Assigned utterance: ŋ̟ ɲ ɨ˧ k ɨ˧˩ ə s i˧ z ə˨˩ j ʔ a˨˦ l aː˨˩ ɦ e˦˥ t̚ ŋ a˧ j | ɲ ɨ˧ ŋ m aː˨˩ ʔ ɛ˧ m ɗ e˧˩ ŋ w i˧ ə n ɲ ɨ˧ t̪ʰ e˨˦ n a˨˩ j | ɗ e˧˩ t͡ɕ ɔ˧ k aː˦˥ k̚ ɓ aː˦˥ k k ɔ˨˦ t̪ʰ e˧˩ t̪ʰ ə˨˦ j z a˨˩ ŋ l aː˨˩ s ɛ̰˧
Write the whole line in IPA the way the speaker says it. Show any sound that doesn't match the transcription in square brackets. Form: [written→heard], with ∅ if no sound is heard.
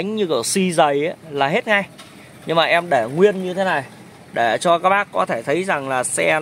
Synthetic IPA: ŋ̟ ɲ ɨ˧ k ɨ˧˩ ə s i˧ z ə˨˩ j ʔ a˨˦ l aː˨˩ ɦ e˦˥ t̚ ŋ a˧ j | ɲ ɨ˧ ŋ m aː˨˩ ʔ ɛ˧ m ɗ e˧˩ ŋ w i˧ ə n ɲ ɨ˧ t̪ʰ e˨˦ n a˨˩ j | ɗ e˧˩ t͡ɕ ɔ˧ k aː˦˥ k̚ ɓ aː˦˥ k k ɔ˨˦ t̪ʰ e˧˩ t̪ʰ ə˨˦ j z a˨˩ ŋ l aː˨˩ s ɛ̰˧